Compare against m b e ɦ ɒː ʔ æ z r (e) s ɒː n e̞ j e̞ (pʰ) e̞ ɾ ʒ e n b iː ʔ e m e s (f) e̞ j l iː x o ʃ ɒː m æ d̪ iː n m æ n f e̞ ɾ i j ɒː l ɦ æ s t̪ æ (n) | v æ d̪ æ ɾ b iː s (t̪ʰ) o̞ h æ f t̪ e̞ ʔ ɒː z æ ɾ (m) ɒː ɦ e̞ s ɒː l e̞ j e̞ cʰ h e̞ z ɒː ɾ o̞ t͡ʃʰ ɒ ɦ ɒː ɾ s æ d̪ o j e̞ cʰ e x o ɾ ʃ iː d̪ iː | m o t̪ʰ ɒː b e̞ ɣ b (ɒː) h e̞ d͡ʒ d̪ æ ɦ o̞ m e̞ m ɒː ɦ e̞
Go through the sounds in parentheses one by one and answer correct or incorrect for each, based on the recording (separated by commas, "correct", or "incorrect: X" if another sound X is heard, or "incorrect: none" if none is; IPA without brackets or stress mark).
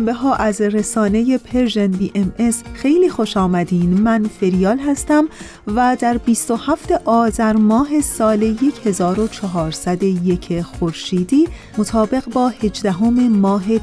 correct, correct, incorrect: x, incorrect: m, incorrect: t̪, correct, correct